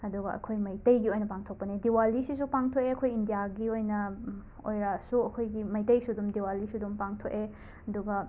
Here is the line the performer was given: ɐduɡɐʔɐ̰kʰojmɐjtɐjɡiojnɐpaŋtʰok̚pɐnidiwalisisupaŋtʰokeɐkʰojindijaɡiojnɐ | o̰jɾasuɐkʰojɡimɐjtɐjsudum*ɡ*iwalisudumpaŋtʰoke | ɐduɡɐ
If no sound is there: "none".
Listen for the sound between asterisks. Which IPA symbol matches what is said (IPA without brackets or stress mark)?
d